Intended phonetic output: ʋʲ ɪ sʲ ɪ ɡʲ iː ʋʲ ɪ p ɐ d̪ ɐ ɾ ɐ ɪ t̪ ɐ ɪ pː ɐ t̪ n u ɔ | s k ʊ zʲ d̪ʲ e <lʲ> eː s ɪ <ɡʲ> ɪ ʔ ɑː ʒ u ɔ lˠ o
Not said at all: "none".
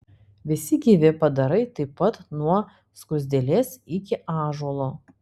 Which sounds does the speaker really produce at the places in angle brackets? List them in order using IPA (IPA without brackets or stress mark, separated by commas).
lʲ, kʲ